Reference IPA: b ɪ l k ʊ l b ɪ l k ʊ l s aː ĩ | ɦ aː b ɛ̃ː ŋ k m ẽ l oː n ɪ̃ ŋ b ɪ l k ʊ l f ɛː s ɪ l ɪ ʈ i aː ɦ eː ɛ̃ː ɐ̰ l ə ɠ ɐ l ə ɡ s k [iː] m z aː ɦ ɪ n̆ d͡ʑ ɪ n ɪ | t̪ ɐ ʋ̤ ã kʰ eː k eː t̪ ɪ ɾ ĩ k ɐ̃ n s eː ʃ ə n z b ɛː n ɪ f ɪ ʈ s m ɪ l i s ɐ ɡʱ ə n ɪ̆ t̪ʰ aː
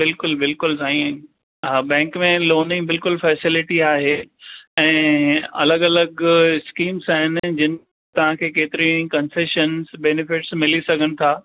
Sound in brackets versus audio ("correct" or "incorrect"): correct